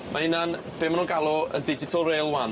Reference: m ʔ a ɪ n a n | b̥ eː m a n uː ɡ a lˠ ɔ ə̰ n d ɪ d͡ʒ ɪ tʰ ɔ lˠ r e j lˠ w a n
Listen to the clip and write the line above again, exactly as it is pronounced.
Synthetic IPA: m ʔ a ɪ n a n | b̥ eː m a n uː ɡ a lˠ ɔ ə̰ n d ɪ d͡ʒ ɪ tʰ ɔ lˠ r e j lˠ w a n

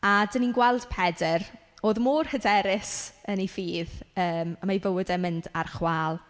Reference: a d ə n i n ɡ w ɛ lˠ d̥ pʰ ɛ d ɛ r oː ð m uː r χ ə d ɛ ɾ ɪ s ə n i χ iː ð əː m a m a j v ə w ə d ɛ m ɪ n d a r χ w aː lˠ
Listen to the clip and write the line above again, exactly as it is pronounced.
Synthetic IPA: a d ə n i n ɡ w ɛ lˠ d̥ pʰ ɛ d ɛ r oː ð m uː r h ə d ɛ ɾ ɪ s ə n i f iː ð əː m a m a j v ə w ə d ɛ m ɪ n d a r χ w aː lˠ

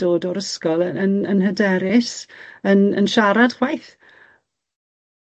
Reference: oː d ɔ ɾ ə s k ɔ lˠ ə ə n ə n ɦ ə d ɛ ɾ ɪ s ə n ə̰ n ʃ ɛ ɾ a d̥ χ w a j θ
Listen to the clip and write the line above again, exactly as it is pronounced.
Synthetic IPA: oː d ɔ ɾ ə s k ɔ lˠ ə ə n ə n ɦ ə d ɛ ɾ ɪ s ə n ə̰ n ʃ a ɾ a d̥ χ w a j θ

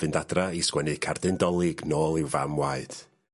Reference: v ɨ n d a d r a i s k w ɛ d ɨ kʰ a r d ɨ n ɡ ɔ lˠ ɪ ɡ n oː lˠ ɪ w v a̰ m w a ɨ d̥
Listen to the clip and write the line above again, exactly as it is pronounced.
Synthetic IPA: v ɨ n d a d r a i s k w ɛ n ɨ kʰ a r d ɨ n d ɔ lˠ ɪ ɡ n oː lˠ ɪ w v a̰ m w a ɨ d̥

